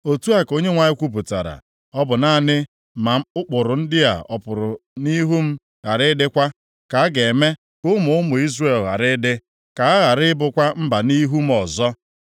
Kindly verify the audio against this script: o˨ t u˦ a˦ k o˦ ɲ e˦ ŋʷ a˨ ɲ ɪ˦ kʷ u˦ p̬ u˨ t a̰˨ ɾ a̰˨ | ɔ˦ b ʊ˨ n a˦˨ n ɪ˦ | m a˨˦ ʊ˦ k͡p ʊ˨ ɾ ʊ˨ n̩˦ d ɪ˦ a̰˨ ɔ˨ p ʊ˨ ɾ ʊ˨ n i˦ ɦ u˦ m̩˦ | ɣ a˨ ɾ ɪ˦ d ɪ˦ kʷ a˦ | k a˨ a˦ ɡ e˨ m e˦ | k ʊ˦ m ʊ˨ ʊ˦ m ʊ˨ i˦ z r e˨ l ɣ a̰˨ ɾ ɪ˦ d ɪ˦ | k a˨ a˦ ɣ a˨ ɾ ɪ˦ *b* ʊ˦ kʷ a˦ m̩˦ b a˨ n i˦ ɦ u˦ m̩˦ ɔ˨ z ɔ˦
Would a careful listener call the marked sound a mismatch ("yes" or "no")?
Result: no